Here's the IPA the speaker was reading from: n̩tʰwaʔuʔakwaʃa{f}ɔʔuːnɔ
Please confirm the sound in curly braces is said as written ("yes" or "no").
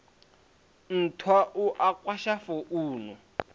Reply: yes